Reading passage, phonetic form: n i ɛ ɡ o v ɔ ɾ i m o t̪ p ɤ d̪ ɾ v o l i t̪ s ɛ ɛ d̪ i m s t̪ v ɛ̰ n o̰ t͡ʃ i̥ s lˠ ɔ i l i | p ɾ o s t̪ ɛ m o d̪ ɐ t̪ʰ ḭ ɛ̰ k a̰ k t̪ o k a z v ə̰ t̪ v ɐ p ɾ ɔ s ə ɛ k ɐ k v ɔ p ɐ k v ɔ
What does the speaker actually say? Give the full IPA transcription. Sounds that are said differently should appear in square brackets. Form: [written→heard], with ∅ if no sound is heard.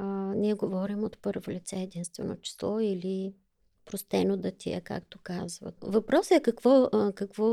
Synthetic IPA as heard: n i ɛ ɡ o v ɔ ɾ i m o t̪ p ɤ [d̪→∅] ɾ v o l i t̪ s ɛ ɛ d̪ i [m→n] s t̪ v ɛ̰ n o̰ t͡ʃ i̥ s lˠ ɔ i l i | p ɾ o s t̪ ɛ [m→n] o d̪ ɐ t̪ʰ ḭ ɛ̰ k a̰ k t̪ o k a z v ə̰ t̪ v ɐ p ɾ ɔ s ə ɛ k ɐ k v ɔ [p→k] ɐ k v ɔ